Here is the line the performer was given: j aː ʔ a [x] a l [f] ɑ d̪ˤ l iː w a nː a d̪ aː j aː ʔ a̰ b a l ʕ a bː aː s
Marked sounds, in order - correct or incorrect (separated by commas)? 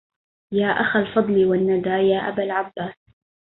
correct, correct